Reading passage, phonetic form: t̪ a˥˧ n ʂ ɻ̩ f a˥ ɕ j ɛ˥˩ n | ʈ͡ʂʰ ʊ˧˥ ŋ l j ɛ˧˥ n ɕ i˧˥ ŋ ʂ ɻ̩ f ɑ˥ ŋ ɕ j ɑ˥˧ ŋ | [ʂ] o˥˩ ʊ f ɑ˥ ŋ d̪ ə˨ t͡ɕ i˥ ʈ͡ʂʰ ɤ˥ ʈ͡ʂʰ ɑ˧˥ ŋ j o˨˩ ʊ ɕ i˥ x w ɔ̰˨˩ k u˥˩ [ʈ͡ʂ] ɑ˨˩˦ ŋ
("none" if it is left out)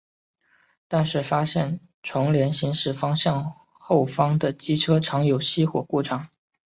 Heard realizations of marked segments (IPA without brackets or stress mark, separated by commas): x, ʈ͡ʂʰ